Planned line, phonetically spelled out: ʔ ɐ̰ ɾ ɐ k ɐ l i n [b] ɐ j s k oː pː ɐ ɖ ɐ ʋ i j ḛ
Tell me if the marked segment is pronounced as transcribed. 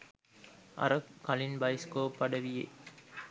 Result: yes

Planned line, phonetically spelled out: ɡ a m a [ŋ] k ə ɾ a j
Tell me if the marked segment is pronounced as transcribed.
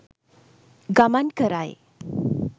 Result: no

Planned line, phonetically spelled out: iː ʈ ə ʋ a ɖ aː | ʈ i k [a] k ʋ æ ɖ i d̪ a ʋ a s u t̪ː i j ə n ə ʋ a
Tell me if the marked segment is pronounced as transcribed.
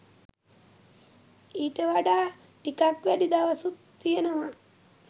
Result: yes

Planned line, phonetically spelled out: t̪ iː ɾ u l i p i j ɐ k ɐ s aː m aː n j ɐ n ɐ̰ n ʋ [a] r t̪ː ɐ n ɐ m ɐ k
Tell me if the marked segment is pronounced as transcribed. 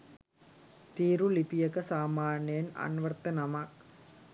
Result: no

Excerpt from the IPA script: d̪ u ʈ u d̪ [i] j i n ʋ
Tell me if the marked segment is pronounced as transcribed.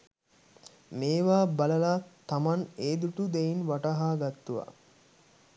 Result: no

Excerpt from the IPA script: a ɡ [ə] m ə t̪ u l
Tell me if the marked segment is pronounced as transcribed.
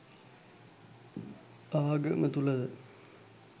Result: yes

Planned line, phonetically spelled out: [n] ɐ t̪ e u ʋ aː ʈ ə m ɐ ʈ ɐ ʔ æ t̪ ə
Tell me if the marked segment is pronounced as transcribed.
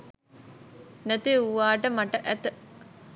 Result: yes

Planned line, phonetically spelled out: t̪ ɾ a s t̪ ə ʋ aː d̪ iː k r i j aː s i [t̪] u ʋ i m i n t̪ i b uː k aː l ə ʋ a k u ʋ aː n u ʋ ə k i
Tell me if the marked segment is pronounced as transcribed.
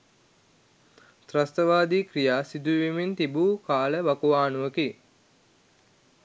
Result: no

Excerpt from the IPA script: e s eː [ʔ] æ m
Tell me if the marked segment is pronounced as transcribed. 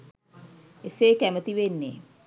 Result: no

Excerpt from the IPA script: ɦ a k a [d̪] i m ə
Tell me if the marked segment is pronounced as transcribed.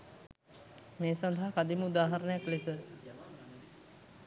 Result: yes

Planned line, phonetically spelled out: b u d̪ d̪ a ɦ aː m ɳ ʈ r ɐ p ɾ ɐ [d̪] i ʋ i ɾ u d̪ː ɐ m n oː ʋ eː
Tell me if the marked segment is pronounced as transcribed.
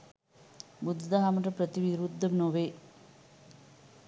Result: no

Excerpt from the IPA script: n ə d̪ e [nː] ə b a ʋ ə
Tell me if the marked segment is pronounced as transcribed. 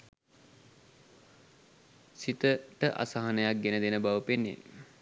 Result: no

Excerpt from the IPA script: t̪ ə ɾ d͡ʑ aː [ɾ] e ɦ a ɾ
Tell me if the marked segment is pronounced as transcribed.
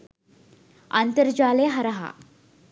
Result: no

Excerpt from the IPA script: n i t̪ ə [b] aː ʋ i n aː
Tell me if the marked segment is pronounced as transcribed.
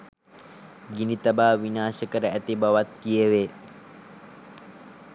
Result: yes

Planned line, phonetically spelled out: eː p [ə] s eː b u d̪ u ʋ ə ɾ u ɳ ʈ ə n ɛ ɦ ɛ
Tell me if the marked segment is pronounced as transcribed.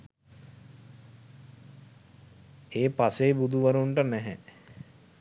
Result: no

